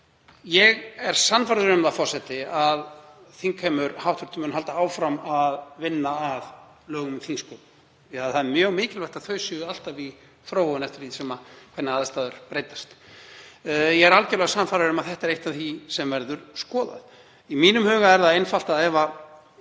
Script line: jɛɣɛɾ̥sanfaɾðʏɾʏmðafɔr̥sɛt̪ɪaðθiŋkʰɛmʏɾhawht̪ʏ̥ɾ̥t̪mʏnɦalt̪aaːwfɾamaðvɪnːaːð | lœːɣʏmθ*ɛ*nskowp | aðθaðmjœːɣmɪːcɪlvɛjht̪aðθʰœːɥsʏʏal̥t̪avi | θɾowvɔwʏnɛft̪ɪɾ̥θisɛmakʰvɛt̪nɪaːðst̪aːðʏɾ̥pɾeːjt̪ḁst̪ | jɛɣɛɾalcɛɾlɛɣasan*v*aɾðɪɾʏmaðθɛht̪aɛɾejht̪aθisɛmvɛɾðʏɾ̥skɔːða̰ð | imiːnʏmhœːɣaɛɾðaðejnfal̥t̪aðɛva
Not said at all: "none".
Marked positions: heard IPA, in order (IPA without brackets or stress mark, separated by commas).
i, f